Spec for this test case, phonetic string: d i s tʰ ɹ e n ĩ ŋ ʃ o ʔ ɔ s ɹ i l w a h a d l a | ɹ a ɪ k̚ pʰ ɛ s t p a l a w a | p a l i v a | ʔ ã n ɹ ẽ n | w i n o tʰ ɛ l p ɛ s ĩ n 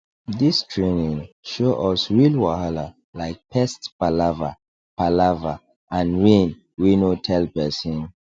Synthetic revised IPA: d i s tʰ ɹ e n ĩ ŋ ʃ o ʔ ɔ s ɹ i l w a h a l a | l a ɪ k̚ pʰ ɛ s t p a l a v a | p a l a v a | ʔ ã n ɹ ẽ n | w i n o tʰ ɛ l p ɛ s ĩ n